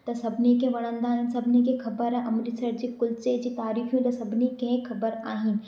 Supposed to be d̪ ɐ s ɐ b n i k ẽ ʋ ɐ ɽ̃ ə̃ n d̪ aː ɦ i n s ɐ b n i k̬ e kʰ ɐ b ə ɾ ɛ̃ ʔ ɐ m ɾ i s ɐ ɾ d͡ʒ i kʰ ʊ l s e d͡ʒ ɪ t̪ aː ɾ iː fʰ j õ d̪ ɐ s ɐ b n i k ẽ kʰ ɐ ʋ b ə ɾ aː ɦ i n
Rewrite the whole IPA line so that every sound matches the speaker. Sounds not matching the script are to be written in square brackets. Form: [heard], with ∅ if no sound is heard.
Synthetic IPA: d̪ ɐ s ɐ b n i k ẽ ʋ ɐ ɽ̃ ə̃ n d̪ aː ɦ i n s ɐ b n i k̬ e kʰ ɐ b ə ɾ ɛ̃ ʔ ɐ m ɾ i s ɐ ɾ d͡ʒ i [k] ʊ l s e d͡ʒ [i] t̪ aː ɾ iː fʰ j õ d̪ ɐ s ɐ b n i k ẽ kʰ ɐ [∅] b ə ɾ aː ɦ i n